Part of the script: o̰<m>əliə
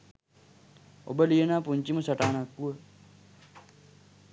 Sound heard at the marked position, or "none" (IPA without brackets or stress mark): b